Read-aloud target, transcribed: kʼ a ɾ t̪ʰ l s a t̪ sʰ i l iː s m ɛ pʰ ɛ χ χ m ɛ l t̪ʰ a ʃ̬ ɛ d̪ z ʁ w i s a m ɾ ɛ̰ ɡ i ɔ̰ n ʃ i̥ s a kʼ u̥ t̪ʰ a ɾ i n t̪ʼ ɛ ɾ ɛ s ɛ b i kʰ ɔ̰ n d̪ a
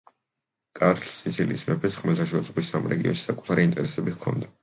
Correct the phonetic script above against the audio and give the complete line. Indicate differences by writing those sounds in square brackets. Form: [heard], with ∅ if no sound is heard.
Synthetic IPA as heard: kʼ a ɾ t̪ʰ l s [i] t̪ sʰ i l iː s m ɛ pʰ ɛ [s] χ m ɛ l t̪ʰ a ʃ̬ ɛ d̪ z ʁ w i s a m ɾ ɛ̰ ɡ i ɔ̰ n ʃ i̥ s a kʼ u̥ t̪ʰ a ɾ i n t̪ʼ ɛ ɾ ɛ s ɛ b i kʰ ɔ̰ n d̪ a